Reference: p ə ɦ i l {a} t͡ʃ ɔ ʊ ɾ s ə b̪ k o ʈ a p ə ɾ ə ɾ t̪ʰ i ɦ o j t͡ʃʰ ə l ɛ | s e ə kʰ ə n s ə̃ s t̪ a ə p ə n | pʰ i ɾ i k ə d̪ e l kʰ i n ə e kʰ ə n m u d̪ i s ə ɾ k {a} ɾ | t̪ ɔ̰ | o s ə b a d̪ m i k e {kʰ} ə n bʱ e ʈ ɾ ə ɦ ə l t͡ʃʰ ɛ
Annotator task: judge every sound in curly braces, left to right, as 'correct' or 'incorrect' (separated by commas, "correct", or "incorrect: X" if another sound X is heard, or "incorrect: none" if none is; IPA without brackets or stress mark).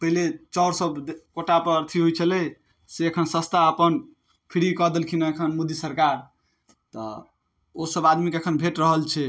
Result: incorrect: e, correct, correct